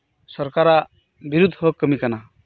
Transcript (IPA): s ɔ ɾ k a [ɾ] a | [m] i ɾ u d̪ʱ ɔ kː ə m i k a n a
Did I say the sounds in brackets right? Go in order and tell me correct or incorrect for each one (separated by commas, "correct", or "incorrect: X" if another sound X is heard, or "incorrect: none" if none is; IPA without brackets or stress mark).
correct, incorrect: b